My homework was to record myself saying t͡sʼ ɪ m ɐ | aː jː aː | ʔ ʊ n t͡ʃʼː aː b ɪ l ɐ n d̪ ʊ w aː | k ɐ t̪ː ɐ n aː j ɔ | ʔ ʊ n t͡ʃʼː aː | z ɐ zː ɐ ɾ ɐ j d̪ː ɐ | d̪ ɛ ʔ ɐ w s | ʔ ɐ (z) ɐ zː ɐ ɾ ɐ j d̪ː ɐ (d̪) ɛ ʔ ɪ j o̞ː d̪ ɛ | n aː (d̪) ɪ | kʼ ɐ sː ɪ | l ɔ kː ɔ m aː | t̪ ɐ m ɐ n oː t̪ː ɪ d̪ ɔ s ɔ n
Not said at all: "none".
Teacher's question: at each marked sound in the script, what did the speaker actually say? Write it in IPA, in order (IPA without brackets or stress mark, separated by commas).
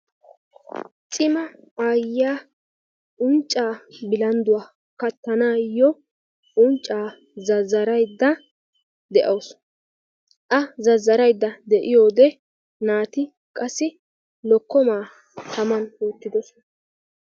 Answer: z, d̪, t̪